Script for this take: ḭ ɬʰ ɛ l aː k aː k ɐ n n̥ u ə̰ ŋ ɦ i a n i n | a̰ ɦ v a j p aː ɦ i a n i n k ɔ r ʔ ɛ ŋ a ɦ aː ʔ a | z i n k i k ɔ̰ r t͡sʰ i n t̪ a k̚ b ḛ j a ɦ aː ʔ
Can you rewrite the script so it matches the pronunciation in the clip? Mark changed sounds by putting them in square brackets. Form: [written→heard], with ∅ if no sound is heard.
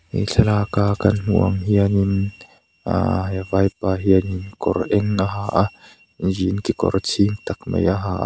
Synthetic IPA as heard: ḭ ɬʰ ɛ l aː k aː k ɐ n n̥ u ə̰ ŋ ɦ i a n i n | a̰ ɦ v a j p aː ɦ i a n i n k ɔ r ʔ ɛ ŋ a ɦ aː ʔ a | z i n k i k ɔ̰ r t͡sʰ i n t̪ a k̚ [b→m] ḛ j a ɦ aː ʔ